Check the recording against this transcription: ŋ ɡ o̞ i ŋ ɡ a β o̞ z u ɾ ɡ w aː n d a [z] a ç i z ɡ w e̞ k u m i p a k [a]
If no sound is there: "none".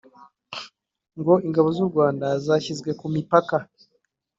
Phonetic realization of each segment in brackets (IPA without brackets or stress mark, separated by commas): z, a